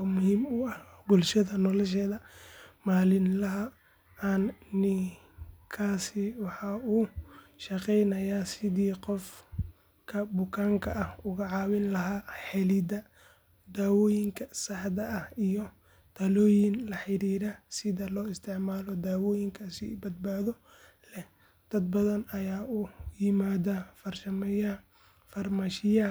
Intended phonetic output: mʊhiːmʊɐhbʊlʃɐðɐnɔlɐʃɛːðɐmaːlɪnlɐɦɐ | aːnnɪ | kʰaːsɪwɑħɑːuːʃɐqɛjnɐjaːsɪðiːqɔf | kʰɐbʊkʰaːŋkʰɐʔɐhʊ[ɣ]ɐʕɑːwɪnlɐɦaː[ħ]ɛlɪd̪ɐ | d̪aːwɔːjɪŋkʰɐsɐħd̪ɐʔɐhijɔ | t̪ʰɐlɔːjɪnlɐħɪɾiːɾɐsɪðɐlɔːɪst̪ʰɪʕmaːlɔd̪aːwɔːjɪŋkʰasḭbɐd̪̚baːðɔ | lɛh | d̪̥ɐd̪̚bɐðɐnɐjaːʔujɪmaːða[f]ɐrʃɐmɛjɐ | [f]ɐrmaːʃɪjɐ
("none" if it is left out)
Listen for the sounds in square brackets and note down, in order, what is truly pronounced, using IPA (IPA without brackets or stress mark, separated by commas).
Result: ɣ, ħ, f, f